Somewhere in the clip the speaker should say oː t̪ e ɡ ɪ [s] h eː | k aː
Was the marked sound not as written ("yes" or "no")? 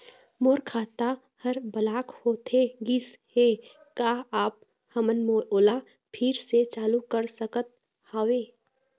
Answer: no